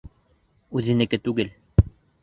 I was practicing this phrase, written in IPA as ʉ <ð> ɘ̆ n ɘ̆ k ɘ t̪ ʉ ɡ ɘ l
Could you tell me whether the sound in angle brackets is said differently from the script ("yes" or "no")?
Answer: no